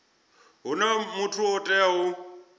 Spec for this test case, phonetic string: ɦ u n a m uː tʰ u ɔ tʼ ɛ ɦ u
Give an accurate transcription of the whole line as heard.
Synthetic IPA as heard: ɦ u n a m u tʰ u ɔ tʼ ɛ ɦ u